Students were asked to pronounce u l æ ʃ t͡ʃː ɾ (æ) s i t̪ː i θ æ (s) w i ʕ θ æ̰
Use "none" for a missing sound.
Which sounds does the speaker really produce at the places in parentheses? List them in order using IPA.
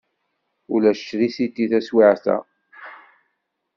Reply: i, s

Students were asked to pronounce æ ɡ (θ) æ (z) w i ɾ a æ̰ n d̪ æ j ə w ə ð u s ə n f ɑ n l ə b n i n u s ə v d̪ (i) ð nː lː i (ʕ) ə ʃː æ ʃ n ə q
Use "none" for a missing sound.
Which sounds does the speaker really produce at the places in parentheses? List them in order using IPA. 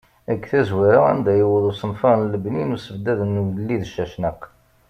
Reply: θ, z, æ, ð

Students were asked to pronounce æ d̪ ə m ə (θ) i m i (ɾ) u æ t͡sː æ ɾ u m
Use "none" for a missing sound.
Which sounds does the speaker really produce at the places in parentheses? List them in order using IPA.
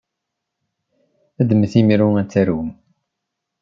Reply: θ, ɾ

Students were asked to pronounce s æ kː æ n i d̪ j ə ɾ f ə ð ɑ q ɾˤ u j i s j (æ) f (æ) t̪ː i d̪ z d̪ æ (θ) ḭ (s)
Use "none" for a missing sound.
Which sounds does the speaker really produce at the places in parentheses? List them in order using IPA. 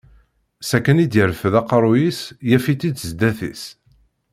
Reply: æ, i, θ, s

